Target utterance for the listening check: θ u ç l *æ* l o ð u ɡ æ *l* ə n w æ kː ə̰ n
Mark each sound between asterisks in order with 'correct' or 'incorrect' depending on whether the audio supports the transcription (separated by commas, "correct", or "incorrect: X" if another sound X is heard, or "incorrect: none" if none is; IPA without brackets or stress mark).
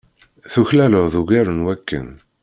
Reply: correct, incorrect: ɾ